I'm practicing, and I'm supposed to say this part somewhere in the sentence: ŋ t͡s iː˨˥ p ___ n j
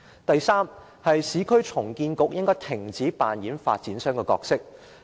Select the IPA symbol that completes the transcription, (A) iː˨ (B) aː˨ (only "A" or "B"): B